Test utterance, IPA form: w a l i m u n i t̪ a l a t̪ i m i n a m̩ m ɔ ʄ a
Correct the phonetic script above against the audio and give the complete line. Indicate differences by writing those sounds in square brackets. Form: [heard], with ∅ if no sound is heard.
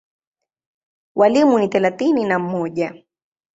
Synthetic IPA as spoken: w a l i m u n i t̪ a l a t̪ i [n] i n a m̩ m ɔ ʄ a